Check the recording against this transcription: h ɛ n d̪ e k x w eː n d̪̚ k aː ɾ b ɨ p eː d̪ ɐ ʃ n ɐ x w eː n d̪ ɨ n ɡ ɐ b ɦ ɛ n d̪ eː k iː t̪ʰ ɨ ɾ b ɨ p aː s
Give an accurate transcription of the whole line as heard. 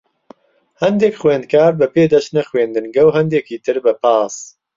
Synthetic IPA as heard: h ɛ n d̪ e k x w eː n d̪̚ k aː ɾ b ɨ p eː d̪ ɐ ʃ n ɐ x w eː n d̪ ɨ n ɡ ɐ w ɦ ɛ n d̪ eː k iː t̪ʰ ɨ ɾ b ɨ p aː s